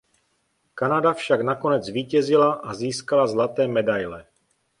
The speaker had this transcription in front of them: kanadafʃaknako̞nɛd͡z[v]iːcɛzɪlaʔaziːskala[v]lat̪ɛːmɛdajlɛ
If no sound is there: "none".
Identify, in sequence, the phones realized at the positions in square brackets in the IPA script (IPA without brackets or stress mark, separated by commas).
v, z